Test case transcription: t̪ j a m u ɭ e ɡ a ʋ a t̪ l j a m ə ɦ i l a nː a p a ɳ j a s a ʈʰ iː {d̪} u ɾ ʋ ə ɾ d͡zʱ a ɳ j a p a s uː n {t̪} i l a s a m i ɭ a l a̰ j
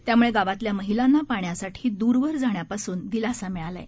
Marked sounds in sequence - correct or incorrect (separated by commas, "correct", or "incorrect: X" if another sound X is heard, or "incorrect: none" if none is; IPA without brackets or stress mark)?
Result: correct, incorrect: d̪